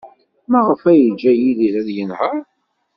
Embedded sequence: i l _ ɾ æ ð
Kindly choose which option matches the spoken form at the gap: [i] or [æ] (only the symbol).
i